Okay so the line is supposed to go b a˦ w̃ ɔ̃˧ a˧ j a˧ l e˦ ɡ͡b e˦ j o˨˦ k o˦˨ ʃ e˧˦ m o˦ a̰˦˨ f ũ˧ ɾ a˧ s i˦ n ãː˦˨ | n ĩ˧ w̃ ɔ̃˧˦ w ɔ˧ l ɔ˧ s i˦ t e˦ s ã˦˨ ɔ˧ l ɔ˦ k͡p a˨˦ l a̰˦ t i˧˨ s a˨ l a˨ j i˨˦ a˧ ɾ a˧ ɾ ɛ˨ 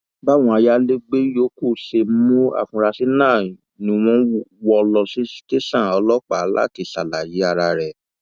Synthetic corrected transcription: b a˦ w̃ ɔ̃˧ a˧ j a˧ l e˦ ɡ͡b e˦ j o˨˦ k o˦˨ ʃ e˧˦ m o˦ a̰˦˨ f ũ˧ ɾ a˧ s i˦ n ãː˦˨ | n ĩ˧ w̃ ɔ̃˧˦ w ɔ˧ l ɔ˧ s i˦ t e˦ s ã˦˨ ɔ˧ l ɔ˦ k͡p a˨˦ l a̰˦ t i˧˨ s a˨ l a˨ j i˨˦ a˧ ɾ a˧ ɾ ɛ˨